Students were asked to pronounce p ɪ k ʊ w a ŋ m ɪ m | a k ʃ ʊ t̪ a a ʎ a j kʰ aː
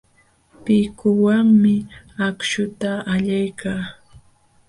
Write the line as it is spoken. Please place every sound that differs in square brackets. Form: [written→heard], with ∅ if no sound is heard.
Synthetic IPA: p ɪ k ʊ w a ŋ m ɪ [m→∅] | a k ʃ ʊ t̪ a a ʎ a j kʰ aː